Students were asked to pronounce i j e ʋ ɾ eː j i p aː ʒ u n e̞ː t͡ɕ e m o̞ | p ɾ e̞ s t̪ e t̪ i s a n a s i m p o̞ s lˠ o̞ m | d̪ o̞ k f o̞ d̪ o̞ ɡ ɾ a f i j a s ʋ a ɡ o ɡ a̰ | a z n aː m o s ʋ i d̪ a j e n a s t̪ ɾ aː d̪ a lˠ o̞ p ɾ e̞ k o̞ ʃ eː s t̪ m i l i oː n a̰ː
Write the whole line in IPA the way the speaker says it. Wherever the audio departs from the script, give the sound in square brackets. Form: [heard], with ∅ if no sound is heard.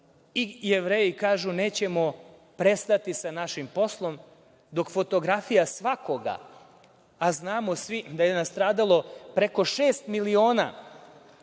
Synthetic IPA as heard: i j e ʋ ɾ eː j i [k] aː ʒ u n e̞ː t͡ɕ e m o̞ | p ɾ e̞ s t̪ [a] t̪ i s a n a [ʃ] i m p o̞ s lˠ o̞ m | d̪ o̞ k f o̞ [t̪] o̞ ɡ ɾ a f i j a s ʋ a [k] o ɡ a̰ | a z n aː m o s ʋ i d̪ a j e n a s t̪ ɾ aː d̪ a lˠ o̞ p ɾ e̞ k o̞ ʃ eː s t̪ m i l i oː n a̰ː